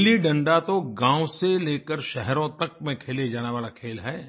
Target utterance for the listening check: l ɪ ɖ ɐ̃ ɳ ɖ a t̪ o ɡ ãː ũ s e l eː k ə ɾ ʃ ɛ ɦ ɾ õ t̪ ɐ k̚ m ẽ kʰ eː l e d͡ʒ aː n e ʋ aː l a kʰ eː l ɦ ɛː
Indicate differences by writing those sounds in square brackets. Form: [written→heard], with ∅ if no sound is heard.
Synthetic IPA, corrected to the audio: l [ɪ→i] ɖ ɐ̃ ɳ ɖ a t̪ o ɡ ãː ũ s e l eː k ə ɾ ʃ ɛ ɦ ɾ õ t̪ ɐ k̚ m ẽ kʰ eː l e d͡ʒ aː n e ʋ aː l a kʰ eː l ɦ ɛː